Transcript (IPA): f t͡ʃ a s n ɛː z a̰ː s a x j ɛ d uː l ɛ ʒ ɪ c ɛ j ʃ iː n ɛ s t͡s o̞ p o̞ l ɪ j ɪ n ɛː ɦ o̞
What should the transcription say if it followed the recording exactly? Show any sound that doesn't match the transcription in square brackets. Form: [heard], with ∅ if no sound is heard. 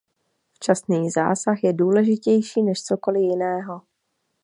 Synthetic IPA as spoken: f t͡ʃ a s n [iː] z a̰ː s a x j ɛ d uː l ɛ ʒ ɪ c ɛ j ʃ iː n ɛ [ʃ] t͡s o̞ [k] o̞ l ɪ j ɪ n ɛː ɦ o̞